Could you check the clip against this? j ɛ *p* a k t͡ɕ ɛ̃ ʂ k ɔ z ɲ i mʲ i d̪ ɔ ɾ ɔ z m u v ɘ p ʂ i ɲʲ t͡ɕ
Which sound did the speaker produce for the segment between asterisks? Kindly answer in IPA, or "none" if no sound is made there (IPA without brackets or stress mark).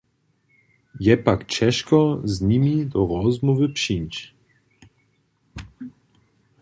p